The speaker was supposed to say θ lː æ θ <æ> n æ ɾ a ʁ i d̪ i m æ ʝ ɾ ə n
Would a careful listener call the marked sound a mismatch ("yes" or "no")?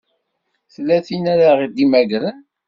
yes